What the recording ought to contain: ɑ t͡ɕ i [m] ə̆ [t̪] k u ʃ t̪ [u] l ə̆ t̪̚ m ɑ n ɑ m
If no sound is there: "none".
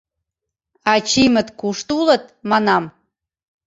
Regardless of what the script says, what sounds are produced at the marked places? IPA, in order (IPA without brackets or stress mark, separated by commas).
m, t̪, u